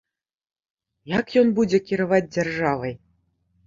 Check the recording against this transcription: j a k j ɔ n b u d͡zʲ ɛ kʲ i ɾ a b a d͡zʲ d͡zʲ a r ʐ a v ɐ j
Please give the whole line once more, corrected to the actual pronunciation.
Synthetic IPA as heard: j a k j ɔ n b u d͡zʲ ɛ kʲ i ɾ a v a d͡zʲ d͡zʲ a r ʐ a v ɐ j